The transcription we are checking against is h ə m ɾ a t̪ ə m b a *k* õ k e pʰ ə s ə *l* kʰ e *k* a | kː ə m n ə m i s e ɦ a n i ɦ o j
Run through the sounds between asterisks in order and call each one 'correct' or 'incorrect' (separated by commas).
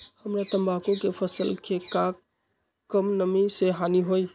correct, correct, correct